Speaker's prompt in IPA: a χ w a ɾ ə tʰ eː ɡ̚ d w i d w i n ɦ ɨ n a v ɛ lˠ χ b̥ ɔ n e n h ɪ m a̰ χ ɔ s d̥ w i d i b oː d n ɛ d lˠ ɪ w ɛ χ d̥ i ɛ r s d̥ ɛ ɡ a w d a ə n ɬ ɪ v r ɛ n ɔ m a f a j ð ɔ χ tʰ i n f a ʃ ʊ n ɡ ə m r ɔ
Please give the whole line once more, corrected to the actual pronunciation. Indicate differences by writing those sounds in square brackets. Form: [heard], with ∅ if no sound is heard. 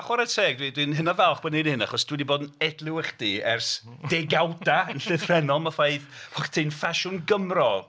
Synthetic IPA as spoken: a χ w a ɾ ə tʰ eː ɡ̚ d w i d w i n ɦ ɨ n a v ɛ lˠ χ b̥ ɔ n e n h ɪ [n] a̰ χ ɔ s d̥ w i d i b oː d n ɛ d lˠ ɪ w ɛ χ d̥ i ɛ r s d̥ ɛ ɡ a w d a ə n ɬ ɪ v r ɛ n ɔ m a f a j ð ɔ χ tʰ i n f a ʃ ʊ n ɡ ə m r ɔ